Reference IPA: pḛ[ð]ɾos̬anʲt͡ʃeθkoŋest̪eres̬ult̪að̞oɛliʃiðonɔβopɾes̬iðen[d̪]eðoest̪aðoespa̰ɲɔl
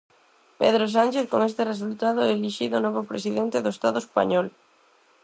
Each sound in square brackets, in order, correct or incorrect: correct, incorrect: t̪

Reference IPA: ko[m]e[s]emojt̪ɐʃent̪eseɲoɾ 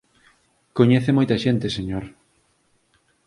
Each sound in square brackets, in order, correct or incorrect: incorrect: ɲ, incorrect: θ

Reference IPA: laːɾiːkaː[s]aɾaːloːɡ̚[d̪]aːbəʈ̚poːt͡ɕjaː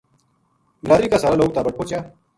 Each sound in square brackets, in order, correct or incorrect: correct, incorrect: t̪

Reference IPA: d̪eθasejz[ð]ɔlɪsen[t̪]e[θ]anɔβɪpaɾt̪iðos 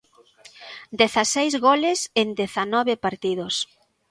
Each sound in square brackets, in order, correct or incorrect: incorrect: ɣ, incorrect: d̪, correct

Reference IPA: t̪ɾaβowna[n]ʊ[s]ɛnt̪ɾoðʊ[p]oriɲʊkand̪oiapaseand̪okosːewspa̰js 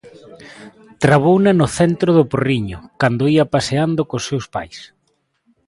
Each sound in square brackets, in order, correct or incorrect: correct, incorrect: θ, correct

